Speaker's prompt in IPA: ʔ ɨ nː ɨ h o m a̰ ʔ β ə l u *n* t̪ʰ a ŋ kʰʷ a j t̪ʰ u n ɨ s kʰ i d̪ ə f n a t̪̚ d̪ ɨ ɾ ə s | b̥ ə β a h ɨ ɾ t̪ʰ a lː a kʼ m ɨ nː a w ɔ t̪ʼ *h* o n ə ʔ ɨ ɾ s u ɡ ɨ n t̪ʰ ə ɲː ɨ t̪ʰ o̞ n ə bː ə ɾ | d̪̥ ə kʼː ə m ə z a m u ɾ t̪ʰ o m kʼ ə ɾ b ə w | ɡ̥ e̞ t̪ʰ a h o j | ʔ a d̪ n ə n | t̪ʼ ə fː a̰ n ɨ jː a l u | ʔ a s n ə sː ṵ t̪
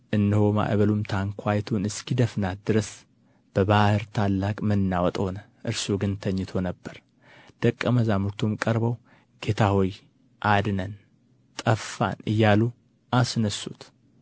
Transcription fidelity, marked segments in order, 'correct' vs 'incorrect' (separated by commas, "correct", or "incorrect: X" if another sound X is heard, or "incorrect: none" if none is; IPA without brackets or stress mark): incorrect: m, correct